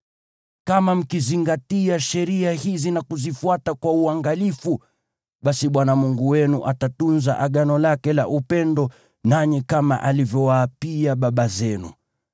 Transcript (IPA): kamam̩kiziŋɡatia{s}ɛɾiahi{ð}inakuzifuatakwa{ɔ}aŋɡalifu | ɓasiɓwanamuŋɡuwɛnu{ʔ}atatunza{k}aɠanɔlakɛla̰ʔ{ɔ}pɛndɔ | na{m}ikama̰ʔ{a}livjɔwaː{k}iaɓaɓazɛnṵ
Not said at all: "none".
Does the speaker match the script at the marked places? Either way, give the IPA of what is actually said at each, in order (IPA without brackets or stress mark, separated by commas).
ʃ, z, u, ʔ, ʔ, u, ɲ, a, p